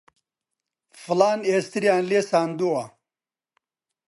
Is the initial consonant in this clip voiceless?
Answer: yes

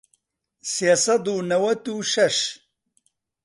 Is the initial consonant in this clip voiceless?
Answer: yes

